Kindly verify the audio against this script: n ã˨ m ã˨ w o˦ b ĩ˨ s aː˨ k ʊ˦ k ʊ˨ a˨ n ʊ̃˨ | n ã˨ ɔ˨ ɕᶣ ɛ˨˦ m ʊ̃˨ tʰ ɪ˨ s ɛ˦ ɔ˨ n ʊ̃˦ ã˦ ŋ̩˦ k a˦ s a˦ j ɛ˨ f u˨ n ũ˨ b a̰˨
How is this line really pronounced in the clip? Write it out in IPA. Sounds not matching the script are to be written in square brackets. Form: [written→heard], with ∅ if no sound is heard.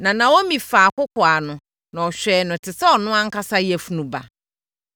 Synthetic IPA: n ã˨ [m→n] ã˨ w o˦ [b→m] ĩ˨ [s→f] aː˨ k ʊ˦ k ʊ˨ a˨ n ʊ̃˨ | n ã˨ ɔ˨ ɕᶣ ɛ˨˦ [m→n] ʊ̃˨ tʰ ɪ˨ s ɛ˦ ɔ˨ n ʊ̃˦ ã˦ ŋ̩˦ k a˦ s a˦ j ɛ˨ f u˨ n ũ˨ b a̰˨